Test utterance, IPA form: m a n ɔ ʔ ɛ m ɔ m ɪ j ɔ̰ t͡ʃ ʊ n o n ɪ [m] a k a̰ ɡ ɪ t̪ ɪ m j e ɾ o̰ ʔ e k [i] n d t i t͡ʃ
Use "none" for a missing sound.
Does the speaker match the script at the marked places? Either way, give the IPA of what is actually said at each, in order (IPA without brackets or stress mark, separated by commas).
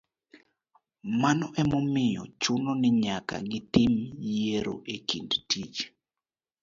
ɲ, i